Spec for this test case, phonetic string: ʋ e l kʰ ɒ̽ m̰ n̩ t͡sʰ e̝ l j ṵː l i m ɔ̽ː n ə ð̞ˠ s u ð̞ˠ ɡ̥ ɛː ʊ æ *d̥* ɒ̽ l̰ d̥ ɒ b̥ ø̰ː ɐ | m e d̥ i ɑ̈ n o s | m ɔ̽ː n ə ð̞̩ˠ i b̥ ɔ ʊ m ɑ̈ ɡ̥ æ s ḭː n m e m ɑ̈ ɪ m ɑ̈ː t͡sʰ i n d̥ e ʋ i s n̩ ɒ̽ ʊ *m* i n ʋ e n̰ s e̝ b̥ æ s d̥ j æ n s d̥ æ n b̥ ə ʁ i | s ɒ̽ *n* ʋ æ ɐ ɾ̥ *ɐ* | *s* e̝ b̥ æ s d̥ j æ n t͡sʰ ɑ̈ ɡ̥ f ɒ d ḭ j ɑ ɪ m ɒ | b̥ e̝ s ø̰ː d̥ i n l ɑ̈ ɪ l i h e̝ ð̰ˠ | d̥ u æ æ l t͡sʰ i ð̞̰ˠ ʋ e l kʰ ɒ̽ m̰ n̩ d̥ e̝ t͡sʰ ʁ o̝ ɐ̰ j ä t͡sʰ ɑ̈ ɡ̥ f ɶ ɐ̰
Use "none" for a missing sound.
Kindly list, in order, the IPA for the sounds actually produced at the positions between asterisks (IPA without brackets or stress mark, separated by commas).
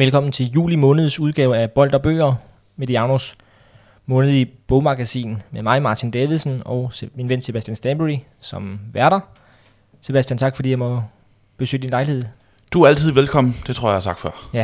b̥, m, m, ɐ, s